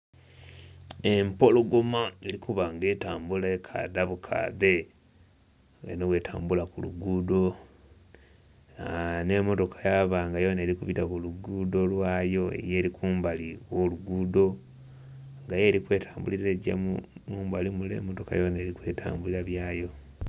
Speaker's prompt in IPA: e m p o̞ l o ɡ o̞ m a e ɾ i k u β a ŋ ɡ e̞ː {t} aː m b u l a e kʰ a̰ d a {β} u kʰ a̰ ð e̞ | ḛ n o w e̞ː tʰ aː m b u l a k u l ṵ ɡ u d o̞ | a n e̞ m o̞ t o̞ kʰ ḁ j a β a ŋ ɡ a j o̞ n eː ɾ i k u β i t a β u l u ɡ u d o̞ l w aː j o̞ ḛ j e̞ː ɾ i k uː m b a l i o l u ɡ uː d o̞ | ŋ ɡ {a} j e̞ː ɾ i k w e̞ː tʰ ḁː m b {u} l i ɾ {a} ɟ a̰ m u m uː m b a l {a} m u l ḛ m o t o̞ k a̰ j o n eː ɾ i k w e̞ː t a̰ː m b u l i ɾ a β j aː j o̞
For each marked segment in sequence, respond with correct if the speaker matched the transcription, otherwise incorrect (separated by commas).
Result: correct, correct, correct, correct, incorrect, incorrect